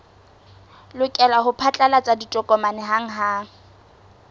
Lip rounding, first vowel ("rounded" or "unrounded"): rounded